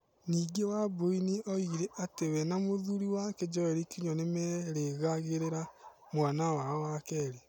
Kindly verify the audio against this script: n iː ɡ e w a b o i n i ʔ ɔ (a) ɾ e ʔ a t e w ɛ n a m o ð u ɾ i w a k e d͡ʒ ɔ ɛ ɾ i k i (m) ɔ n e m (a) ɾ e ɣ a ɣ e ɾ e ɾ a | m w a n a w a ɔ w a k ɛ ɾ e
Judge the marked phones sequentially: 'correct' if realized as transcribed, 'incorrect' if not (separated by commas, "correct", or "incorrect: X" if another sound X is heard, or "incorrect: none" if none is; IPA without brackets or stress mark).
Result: incorrect: i, incorrect: ɲ, incorrect: ɛ